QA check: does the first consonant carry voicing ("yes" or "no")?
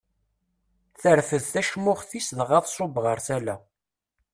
no